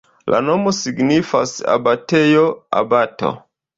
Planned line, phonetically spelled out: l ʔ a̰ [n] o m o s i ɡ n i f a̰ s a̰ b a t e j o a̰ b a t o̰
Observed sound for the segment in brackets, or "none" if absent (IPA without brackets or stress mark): n